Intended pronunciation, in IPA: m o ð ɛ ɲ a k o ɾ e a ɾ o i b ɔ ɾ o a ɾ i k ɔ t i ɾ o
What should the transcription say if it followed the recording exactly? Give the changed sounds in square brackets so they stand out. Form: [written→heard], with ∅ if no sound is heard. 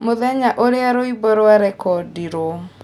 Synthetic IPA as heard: m o ð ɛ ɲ a [k→ʔ] o ɾ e a ɾ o i b ɔ ɾ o a ɾ [i→ɛ] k ɔ [t→d] i ɾ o